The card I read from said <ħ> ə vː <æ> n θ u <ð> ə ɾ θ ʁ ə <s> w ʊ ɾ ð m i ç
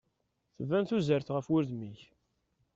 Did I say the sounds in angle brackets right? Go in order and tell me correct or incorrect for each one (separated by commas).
incorrect, correct, incorrect, incorrect